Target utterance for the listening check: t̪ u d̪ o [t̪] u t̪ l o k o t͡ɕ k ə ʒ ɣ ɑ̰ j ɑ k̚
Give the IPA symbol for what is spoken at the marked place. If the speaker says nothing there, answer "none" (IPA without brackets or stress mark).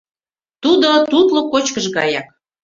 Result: t̪